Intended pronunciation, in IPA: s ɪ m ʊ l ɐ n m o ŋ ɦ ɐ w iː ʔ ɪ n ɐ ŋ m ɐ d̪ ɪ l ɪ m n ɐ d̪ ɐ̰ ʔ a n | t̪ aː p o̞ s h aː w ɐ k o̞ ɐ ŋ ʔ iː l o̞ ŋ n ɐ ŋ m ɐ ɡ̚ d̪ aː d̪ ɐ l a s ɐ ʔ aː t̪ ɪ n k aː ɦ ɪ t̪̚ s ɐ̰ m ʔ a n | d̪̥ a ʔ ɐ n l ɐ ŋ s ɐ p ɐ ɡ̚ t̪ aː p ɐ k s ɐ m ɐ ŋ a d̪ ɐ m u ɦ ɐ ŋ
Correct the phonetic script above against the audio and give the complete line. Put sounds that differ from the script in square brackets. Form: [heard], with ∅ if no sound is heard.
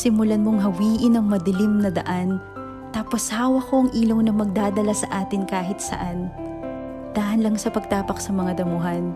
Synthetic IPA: s ɪ m ʊ l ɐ n m o ŋ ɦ ɐ w iː ʔ ɪ n ɐ ŋ m ɐ d̪ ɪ l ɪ m n ɐ d̪ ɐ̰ ʔ a n | t̪ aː p o̞ s h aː w ɐ k o̞ ɐ ŋ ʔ iː l o̞ ŋ n ɐ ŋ m ɐ ɡ̚ d̪ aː d̪ ɐ l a s ɐ ʔ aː t̪ ɪ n k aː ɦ ɪ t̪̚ s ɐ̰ [∅] ʔ a n | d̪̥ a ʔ ɐ n l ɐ ŋ s ɐ p ɐ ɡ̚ t̪ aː p ɐ k s ɐ m ɐ ŋ a d̪ ɐ m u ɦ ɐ [n]